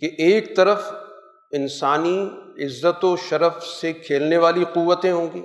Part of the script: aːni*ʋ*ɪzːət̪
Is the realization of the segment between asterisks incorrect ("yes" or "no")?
yes